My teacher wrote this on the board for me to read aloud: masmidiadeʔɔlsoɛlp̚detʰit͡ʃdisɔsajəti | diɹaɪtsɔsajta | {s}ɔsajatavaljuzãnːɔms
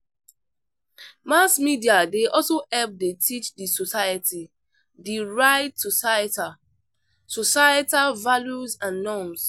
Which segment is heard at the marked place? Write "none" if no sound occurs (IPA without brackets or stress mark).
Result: s